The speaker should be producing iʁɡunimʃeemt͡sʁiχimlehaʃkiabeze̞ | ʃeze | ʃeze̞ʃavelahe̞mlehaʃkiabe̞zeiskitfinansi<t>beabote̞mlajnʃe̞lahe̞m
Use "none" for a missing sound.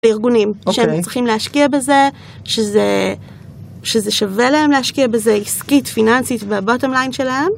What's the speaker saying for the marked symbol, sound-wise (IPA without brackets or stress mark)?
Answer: t